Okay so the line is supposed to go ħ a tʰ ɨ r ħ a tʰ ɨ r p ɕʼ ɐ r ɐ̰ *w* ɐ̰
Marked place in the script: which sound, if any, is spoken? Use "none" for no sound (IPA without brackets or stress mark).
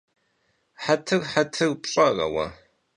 w